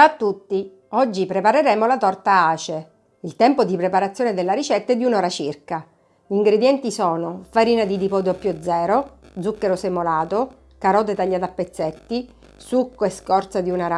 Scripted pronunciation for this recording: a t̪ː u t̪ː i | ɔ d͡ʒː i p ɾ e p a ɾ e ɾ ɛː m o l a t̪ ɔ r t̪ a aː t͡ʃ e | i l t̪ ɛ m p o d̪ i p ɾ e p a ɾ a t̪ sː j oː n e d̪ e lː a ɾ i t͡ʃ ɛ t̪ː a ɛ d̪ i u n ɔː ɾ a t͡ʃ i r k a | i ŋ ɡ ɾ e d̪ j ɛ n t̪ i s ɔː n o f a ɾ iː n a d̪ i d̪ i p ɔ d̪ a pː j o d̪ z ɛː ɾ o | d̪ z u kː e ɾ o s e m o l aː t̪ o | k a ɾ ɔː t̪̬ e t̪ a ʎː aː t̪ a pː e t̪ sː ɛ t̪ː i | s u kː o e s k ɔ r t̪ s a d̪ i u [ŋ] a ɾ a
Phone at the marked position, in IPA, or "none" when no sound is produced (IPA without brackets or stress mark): n